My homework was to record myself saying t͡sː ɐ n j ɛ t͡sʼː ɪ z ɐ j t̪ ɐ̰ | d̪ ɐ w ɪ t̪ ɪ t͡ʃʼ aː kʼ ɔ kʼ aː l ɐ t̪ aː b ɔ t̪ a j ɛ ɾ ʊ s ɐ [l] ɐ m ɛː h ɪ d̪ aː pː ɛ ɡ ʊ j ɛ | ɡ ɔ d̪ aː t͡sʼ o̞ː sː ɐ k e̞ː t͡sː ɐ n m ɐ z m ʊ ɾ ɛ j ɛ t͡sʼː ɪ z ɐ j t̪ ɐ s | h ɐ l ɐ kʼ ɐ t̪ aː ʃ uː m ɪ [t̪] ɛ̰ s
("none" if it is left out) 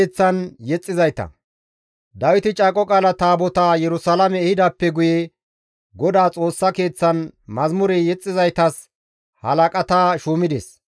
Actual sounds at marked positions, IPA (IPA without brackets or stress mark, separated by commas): l, d̪